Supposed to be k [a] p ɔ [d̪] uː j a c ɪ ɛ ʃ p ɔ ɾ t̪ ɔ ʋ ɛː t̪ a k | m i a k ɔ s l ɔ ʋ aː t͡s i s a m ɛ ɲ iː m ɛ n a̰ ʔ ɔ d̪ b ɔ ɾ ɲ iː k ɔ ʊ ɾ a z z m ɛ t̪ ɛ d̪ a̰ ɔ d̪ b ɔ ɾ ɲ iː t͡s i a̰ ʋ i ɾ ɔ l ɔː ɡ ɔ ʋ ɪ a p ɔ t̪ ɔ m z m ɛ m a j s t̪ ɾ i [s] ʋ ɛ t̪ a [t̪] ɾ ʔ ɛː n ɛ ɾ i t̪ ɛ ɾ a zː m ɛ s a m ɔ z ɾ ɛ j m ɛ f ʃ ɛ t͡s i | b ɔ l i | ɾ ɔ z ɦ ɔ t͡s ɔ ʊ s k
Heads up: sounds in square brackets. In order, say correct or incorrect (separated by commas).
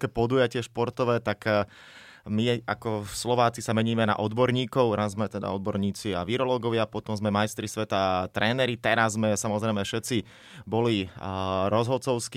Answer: incorrect, correct, correct, correct